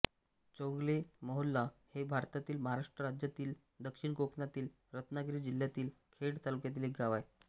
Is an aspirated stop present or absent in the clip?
present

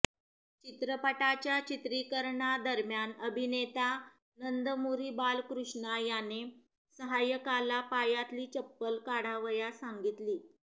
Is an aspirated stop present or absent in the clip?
absent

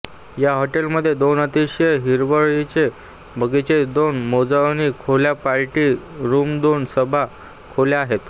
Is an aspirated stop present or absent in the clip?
present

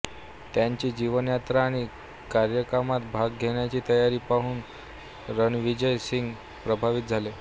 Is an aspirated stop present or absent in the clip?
absent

